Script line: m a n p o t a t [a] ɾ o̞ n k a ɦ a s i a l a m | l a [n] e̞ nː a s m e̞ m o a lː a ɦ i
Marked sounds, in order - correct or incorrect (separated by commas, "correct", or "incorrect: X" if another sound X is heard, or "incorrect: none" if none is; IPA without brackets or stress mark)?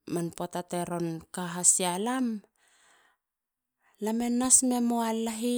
incorrect: e, incorrect: m